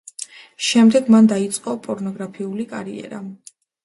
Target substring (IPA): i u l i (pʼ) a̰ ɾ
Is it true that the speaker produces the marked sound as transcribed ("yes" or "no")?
no